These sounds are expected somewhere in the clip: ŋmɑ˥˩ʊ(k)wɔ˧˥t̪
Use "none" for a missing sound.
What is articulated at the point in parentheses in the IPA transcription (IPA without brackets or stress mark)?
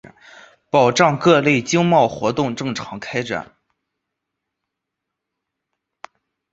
x